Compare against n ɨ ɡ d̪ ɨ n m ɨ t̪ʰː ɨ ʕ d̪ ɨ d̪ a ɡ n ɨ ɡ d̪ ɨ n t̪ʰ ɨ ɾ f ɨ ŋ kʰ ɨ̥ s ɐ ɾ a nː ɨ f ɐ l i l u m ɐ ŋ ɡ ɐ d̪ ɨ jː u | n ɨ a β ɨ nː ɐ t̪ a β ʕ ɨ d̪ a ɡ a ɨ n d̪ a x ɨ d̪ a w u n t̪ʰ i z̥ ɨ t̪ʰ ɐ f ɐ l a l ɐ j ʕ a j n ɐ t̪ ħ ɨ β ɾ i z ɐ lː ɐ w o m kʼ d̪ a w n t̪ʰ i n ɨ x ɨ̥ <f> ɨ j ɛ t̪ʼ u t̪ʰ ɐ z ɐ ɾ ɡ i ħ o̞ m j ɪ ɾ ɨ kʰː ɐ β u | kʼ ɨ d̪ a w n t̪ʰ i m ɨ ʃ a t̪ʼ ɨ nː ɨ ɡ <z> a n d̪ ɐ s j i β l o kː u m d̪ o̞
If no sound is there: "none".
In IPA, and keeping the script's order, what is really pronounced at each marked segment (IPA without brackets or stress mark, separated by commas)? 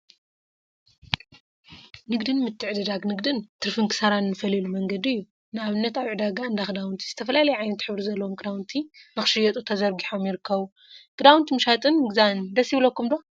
ʃ, z